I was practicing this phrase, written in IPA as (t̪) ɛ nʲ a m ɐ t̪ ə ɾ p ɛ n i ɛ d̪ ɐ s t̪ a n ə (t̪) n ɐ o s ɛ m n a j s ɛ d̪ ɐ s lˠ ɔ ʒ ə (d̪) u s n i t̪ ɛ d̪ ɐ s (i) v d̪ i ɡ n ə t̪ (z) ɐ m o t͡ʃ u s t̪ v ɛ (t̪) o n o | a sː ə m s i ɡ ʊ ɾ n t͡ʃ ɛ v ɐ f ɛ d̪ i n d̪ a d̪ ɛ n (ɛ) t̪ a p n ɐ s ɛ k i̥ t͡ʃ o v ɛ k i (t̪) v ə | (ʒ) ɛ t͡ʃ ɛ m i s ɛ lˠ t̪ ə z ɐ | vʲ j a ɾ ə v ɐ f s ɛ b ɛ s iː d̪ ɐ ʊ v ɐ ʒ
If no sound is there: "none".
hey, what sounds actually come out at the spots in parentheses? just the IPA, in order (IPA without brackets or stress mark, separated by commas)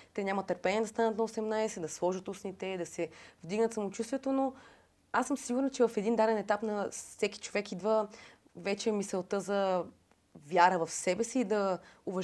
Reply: t̪, t̪, t̪, ɛ, s, t̪, ɛ, d̪, v